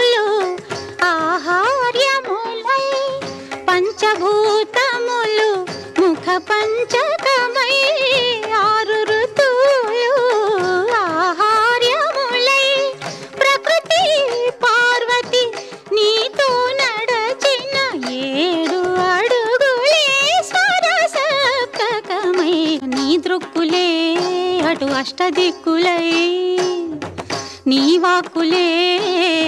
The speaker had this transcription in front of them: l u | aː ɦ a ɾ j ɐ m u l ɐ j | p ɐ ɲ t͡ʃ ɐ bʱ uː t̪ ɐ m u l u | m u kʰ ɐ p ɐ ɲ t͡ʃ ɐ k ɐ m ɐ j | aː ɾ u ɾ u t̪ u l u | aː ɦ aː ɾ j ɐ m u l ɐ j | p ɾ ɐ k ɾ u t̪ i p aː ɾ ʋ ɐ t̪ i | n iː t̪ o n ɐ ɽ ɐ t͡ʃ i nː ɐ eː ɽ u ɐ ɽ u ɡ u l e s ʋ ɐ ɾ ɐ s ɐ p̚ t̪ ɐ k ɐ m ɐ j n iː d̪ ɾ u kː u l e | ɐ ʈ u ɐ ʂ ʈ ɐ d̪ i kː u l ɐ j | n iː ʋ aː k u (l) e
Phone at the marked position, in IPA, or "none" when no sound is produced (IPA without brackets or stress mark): l